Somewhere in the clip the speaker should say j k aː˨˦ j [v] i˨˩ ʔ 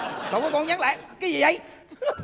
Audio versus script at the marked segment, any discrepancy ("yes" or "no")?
yes